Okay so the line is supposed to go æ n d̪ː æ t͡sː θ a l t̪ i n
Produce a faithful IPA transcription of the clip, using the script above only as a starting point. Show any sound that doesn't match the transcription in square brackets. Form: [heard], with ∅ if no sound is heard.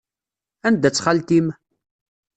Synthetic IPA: æ n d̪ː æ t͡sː [χ] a l t̪ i [m]